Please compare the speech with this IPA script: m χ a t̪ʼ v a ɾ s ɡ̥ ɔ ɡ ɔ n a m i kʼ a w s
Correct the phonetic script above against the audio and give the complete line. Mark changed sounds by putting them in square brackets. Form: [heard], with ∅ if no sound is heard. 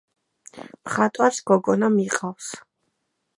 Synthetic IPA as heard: m χ a t̪ʼ [w] a ɾ s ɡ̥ ɔ ɡ ɔ n a m i [qʼ] a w s